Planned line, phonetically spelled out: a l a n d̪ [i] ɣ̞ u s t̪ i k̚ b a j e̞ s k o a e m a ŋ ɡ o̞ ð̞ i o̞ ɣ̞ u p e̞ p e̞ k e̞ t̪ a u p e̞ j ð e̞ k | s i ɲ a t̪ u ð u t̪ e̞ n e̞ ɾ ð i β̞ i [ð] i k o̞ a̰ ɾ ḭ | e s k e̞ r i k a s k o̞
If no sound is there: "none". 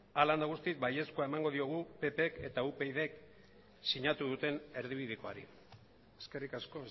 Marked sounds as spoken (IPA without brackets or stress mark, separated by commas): a, ð